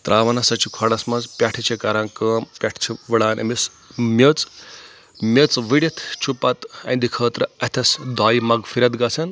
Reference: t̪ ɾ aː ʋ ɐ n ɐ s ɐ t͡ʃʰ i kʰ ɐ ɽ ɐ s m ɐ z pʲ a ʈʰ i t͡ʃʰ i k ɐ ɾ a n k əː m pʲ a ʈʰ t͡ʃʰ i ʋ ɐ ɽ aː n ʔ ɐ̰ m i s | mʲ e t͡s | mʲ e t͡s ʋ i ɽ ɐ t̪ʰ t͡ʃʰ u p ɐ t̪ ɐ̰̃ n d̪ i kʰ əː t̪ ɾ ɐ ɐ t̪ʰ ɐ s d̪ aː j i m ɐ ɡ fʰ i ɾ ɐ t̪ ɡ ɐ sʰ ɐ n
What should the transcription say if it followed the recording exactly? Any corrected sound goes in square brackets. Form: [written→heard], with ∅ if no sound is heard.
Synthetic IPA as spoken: t̪ ɾ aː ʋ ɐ n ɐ s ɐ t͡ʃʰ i kʰ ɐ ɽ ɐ s m ɐ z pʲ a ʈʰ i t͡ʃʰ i k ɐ ɾ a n k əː m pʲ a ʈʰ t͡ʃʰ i ʋ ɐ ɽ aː n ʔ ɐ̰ m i s | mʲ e t͡s | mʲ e t͡s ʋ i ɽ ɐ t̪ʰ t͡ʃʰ u p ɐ t̪ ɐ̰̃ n d̪ i kʰ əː t̪ ɾ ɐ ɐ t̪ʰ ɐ s d̪ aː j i m ɐ ɡ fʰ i ɾ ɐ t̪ ɡ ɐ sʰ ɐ n